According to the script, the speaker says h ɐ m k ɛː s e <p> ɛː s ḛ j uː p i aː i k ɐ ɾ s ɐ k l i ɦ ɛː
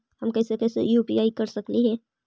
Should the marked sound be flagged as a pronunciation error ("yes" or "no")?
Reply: yes